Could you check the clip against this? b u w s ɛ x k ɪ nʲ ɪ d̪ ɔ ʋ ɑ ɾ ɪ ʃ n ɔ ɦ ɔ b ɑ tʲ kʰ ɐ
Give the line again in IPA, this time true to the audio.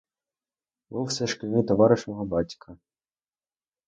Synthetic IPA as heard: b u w s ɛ ʃ k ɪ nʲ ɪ t̪ ɔ ʋ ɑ ɾ ɪ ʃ n ɔ ɦ ɔ b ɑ tʲ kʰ ɐ